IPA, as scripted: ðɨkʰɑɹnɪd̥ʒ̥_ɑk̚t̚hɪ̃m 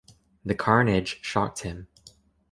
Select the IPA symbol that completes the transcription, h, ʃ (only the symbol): ʃ